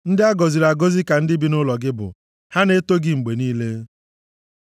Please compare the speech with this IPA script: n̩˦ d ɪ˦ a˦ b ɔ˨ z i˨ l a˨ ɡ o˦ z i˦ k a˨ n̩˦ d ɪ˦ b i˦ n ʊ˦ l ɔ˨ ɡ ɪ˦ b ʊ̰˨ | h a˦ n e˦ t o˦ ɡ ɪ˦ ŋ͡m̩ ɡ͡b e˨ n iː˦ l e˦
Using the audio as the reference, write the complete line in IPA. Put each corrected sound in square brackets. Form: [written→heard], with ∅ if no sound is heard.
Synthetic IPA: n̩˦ d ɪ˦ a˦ [b→ɡ] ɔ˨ z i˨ [l→ɾ] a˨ ɡ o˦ z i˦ k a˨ n̩˦ d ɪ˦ b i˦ n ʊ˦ l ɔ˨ ɡ ɪ˦ b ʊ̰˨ | h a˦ n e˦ t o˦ ɡ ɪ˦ ŋ͡m̩ ɡ͡b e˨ n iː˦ l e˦